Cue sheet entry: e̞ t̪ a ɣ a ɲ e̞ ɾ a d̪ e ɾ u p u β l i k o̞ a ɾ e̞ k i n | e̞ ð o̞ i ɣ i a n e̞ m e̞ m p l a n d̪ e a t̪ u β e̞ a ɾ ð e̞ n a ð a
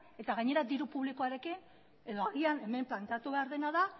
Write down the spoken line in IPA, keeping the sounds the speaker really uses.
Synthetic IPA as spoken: e̞ t̪ a ɣ a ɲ e̞ ɾ a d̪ i ɾ u p u β l i k o̞ a ɾ e̞ k i n | e̞ ð o̞ a ɣ i a n e̞ m e̞ m p l a n t̪ e a t̪ u β e̞ a ɾ ð e̞ n a ð a